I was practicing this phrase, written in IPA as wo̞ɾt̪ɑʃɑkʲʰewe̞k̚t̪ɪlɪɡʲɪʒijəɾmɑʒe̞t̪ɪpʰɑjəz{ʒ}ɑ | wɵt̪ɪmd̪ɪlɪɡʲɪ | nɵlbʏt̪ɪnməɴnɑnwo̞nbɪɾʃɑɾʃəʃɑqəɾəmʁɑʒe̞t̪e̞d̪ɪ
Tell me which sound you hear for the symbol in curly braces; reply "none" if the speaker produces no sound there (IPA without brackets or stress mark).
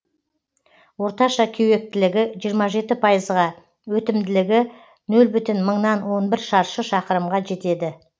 ʁ